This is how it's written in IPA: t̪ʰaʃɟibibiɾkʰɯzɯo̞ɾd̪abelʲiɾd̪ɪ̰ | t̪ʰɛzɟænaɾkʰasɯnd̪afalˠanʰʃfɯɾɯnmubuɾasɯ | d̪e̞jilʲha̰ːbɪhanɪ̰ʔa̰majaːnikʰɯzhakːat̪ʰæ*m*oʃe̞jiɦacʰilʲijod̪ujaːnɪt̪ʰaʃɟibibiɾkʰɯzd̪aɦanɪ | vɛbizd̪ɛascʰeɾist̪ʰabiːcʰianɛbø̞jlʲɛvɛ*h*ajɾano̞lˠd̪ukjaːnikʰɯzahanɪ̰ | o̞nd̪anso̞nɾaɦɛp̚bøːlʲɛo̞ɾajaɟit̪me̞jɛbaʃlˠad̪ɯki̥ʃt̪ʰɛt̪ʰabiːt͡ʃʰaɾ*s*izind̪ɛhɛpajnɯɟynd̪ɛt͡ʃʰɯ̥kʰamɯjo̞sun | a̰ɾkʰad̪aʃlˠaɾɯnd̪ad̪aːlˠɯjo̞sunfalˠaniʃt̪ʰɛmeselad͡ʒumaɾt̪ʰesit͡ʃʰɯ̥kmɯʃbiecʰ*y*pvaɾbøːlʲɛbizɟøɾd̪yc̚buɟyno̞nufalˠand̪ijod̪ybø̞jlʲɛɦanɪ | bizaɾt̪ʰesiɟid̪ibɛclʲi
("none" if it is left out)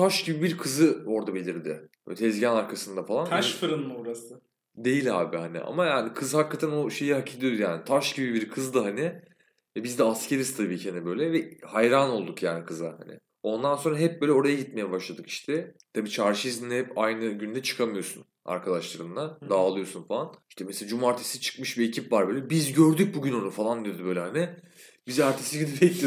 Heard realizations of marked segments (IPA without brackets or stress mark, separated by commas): n, h, ʃ, i